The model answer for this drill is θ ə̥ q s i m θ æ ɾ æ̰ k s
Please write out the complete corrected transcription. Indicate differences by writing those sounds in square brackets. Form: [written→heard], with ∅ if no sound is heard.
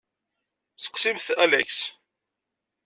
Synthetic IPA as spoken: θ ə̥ q s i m θ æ [ɾ→l] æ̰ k s